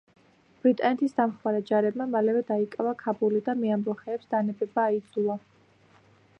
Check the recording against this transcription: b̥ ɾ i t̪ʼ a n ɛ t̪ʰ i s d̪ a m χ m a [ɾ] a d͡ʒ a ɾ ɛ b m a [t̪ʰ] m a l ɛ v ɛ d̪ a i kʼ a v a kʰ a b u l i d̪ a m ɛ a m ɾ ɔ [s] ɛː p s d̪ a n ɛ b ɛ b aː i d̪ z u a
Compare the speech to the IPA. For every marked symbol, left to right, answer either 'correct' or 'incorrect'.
correct, incorrect, incorrect

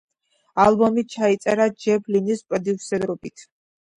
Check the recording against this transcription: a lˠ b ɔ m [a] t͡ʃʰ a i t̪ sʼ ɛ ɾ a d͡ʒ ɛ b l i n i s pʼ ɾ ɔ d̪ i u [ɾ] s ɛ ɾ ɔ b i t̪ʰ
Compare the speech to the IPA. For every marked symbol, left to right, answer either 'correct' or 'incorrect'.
incorrect, incorrect

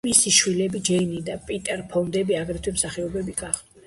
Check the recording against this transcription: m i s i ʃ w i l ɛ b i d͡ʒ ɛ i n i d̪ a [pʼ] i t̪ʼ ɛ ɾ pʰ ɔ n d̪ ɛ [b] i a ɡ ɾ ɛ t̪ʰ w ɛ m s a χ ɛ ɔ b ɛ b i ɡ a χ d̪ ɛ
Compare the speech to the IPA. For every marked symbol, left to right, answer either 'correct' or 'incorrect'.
correct, correct

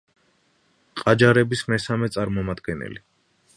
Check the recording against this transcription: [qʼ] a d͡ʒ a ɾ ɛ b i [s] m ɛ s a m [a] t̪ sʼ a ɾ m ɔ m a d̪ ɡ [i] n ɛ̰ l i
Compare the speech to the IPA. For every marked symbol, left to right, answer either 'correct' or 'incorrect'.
correct, correct, incorrect, incorrect

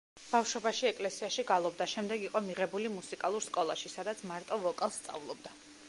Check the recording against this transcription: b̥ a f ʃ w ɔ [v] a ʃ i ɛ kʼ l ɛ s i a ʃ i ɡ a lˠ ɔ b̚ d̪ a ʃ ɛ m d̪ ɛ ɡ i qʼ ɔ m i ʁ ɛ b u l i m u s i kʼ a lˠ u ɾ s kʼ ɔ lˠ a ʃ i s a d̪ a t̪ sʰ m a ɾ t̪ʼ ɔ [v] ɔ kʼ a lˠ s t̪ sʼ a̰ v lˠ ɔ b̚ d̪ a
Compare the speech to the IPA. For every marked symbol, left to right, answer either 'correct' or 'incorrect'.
incorrect, correct

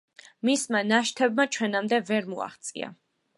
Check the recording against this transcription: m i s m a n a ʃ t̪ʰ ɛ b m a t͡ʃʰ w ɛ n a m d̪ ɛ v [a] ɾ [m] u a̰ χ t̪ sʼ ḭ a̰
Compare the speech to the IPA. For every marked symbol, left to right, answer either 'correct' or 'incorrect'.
incorrect, correct

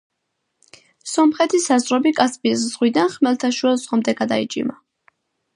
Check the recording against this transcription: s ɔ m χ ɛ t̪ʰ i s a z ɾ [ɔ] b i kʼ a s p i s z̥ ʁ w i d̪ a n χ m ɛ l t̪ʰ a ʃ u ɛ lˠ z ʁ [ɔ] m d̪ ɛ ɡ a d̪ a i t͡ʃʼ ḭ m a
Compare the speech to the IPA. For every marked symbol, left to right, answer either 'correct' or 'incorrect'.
correct, correct

